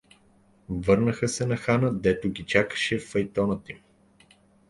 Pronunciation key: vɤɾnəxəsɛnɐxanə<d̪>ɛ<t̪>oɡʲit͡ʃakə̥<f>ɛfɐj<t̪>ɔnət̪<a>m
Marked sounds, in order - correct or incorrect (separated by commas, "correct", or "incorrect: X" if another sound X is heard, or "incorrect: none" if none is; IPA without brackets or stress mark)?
correct, correct, incorrect: ʃ, correct, incorrect: i